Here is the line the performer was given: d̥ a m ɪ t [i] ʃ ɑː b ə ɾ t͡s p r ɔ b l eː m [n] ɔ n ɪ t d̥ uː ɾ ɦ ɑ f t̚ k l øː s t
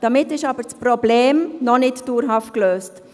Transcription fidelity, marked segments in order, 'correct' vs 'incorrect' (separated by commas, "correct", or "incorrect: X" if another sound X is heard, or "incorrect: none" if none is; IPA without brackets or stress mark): incorrect: ɪ, correct